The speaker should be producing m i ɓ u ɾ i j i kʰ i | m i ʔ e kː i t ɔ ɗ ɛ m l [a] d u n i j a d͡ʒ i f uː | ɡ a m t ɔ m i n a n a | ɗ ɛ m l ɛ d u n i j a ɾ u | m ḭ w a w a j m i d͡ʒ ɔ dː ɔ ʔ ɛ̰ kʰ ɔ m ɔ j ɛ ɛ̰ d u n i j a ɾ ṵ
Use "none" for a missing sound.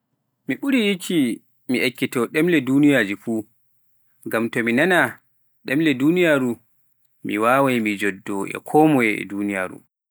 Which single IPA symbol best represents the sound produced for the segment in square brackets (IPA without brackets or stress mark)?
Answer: ɛ